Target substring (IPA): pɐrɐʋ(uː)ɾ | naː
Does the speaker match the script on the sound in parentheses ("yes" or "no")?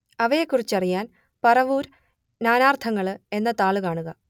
yes